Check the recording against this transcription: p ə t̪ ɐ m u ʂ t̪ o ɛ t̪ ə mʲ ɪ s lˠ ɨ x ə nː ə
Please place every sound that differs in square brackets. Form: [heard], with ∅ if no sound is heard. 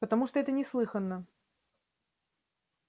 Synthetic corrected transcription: p ə t̪ ɐ m u ʂ t̪ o ɛ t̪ ə [nʲ] ɪ s lˠ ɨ x ə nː ə